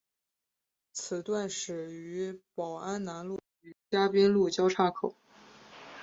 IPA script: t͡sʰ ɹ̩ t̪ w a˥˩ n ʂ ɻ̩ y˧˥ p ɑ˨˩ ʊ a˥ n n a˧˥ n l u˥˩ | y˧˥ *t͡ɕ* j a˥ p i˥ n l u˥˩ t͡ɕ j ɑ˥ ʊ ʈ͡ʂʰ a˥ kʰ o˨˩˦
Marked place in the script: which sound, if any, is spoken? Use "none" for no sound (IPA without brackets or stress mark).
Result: t͡ɕ